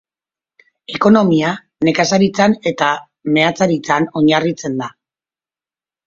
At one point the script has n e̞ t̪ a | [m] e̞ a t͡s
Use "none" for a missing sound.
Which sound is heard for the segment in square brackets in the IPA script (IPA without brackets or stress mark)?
m